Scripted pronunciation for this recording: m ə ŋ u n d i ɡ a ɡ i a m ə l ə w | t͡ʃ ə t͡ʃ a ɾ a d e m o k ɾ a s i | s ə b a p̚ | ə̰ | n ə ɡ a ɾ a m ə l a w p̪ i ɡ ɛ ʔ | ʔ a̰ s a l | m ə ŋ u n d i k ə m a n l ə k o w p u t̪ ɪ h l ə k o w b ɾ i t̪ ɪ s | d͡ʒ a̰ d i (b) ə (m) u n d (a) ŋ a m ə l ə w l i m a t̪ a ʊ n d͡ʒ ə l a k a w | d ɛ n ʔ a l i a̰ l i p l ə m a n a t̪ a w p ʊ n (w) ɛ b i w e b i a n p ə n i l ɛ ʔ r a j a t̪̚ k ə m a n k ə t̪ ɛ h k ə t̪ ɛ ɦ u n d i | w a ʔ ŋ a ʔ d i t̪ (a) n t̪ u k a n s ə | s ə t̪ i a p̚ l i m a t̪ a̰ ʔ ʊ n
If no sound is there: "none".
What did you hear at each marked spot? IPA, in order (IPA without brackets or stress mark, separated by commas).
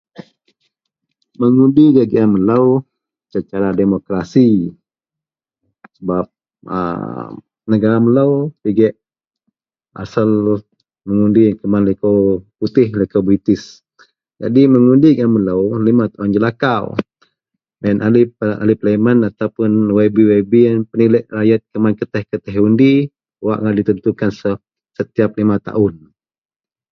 m, ŋ, i, w, ə